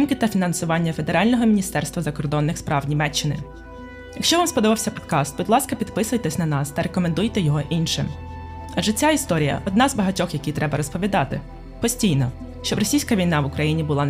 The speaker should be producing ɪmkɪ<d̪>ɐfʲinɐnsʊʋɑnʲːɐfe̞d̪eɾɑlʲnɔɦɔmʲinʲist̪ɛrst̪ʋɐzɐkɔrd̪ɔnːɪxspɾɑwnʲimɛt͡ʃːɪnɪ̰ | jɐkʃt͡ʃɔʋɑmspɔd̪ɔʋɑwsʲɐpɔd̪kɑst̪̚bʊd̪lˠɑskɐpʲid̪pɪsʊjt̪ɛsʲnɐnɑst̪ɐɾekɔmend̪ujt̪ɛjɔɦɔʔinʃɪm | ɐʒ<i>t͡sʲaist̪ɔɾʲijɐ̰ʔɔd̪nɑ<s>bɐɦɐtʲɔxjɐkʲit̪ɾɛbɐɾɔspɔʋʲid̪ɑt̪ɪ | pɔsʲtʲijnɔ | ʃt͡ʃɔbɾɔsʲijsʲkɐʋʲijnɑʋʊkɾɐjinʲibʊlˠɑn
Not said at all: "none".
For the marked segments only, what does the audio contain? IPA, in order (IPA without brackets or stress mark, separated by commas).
t̪, ɛ, z